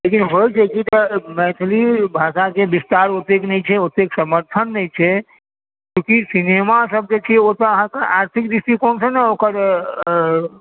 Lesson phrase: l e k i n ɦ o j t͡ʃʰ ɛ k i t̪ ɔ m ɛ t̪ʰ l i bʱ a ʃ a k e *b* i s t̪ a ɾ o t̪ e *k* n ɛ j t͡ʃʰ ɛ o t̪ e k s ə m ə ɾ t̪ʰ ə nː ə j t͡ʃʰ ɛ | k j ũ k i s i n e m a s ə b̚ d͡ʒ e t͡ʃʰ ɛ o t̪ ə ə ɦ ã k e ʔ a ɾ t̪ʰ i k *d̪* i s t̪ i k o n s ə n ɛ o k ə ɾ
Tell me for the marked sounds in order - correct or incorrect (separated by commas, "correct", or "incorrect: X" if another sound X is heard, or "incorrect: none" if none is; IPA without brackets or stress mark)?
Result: correct, correct, correct